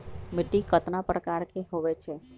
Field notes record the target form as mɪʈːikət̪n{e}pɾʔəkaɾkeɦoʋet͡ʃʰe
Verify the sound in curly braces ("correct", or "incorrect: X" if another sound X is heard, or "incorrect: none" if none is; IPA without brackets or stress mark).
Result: incorrect: a